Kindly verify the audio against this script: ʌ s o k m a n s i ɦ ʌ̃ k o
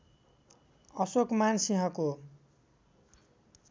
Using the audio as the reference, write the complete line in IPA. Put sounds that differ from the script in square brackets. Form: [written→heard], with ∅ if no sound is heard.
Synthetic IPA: ʌ s o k m a n s i ɦ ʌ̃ k o